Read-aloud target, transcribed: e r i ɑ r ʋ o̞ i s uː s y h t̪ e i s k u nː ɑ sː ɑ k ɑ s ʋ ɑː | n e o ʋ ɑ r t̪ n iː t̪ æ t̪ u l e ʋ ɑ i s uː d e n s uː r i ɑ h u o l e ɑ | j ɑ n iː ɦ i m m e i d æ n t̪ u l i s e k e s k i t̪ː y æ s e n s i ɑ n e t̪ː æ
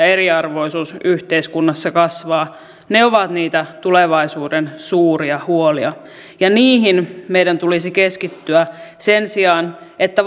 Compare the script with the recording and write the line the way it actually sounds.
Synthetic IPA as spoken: e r i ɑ r ʋ o̞ i s uː s y h t̪ e i s k u nː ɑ sː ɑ k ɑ s ʋ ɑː | n e o ʋ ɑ t̪ n iː t̪ æ t̪ u l e ʋ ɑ i s uː d e n s uː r i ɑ h u o l i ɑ | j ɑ n iː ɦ i n m e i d æ n t̪ u l i s i k e s k i t̪ː y æ s e n s i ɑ n e t̪ː æ